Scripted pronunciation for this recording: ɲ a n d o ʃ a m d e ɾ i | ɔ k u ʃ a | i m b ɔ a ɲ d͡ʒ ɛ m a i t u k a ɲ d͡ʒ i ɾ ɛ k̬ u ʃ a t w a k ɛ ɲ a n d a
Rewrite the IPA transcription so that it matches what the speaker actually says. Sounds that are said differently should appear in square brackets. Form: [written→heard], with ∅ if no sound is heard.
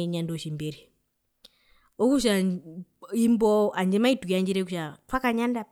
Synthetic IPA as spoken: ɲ a n d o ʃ [a→i] m [d→b] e ɾ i | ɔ k u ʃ a | i m b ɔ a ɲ d͡ʒ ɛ m a i t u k a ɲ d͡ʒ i ɾ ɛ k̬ u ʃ a t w a k [ɛ→a] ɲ a n d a